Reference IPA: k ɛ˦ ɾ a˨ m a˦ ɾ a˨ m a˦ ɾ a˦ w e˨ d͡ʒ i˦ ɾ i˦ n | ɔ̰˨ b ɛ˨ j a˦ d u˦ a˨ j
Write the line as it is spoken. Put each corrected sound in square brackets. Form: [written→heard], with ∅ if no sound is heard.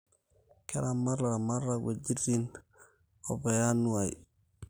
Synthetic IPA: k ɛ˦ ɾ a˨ m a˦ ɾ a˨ m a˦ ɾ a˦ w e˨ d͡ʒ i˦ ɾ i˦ n | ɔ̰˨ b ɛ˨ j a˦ [d→n] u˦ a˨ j